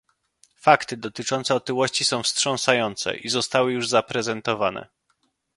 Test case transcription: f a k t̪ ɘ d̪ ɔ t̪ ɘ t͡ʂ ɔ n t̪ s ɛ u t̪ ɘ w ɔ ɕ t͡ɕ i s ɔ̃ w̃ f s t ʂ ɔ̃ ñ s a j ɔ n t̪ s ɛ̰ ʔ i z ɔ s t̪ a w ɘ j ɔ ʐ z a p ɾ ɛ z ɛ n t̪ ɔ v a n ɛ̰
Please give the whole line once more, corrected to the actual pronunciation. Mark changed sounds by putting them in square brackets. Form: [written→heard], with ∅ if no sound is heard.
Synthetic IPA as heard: f a k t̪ ɘ d̪ ɔ t̪ ɘ t͡ʂ ɔ n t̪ s ɛ [u→ɔ] t̪ ɘ w ɔ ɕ t͡ɕ i s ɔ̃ w̃ f s t ʂ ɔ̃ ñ s a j ɔ n t̪ s ɛ̰ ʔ i z ɔ s t̪ a w ɘ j [ɔ→u] ʐ z a p ɾ ɛ z ɛ n t̪ ɔ v a n ɛ̰